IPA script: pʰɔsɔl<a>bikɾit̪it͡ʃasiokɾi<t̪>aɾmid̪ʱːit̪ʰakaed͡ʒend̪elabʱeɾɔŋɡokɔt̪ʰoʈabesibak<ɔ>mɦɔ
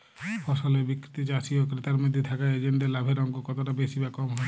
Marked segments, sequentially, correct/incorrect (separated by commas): incorrect, correct, correct